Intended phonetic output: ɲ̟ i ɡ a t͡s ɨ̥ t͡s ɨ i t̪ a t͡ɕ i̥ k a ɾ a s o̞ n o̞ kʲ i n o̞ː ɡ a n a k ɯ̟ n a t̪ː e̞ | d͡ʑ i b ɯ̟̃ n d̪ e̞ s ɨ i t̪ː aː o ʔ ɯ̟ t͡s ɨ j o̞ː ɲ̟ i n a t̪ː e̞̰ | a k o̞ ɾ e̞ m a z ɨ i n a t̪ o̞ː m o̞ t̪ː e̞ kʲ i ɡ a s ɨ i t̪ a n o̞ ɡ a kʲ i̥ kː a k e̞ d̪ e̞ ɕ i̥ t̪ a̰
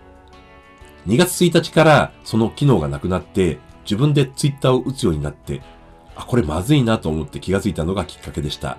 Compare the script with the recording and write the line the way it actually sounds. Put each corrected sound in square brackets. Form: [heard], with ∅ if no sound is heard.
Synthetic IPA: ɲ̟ i ɡ a t͡s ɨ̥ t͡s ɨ i t̪ a t͡ɕ i̥ k a ɾ a s o̞ n o̞ kʲ i n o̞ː ɡ a n a k ɯ̟ n a t̪ː e̞ | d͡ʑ i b ɯ̟̃ n d̪ e̞ [t͡s] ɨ i t̪ː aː o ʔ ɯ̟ t͡s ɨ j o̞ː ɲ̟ i n a t̪ː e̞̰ | a k o̞ ɾ e̞ m a z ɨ i n a t̪ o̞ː m o̞ t̪ː e̞ kʲ i ɡ a [t͡s] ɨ i t̪ a n o̞ ɡ a kʲ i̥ kː a k e̞ d̪ e̞ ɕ i̥ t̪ a̰